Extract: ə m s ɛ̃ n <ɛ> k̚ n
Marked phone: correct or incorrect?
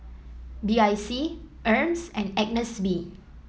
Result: correct